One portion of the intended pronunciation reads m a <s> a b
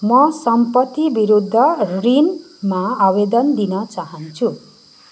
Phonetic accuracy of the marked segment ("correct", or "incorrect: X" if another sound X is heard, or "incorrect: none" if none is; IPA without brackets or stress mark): incorrect: none